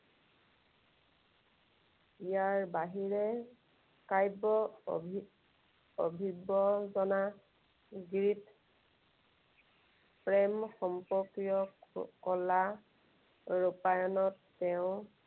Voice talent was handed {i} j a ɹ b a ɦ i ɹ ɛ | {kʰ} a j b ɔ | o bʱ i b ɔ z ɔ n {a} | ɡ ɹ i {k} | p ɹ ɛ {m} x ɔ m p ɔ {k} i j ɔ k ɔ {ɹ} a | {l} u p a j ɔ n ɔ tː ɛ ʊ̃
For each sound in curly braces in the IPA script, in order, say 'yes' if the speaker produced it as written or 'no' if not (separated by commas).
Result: yes, no, yes, no, yes, yes, no, no